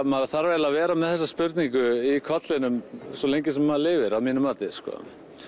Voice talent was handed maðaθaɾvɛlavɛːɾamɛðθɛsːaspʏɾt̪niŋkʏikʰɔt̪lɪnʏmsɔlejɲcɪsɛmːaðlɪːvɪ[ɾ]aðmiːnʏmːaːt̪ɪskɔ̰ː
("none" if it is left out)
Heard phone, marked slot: ɾ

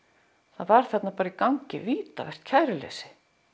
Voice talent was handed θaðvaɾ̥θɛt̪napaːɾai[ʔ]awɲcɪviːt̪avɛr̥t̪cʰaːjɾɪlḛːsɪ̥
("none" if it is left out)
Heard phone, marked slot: k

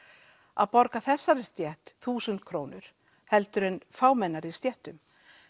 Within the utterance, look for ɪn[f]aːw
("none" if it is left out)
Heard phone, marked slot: f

